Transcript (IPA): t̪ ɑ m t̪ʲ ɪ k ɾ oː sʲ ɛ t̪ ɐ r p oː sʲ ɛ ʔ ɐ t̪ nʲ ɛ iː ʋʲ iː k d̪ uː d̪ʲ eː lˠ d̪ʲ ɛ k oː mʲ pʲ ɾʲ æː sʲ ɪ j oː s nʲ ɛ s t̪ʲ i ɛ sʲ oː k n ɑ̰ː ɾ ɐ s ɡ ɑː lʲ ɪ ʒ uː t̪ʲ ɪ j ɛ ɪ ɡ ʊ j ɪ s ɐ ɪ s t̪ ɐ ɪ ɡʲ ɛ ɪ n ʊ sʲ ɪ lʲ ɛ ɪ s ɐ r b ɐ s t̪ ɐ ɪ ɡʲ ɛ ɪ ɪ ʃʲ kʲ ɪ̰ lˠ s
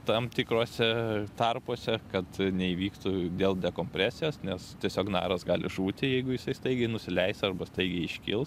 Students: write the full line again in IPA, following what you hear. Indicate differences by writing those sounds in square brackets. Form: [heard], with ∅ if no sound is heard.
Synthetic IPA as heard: t̪ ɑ m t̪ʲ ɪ k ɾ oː sʲ ɛ t̪ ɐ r p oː sʲ ɛ [k] ɐ t̪ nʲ ɛ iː ʋʲ iː k [t̪] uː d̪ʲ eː lˠ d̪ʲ ɛ k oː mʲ pʲ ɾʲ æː sʲ ɪ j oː s nʲ ɛ s t̪ʲ i ɛ sʲ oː k n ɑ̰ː ɾ ɐ s ɡ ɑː lʲ ɪ ʒ uː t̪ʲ ɪ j ɛ ɪ ɡ ʊ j ɪ s ɐ ɪ s t̪ ɐ ɪ ɡʲ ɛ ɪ n ʊ sʲ ɪ lʲ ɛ ɪ s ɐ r b ɐ s t̪ ɐ ɪ ɡʲ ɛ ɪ ɪ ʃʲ kʲ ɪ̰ lˠ s